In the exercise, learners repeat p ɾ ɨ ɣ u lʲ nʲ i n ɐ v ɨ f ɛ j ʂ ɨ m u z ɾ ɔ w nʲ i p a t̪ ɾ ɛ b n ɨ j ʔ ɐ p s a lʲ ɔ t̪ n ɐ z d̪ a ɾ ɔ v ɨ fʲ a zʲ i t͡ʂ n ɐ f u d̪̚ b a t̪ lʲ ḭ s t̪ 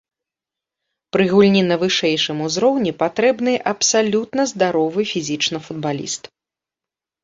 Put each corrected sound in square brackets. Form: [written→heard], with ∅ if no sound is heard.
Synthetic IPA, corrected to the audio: p ɾ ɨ ɣ u lʲ nʲ i n ɐ v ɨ [f→ʂ] ɛ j ʂ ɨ m u z ɾ ɔ w nʲ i p a t̪ ɾ ɛ b n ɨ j ʔ ɐ p s a lʲ [ɔ→u] t̪ n ɐ z d̪ a ɾ ɔ v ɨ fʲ [a→i] zʲ i t͡ʂ n ɐ f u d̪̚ b a [t̪→∅] lʲ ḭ s t̪